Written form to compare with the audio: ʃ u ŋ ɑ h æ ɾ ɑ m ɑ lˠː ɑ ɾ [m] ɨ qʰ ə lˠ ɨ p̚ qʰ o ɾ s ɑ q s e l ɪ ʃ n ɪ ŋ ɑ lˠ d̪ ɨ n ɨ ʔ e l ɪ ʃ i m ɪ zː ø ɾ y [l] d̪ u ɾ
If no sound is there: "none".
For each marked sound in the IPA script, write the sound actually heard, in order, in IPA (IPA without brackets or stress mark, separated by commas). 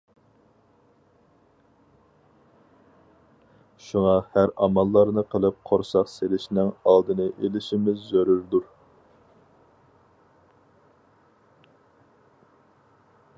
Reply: n, ɾ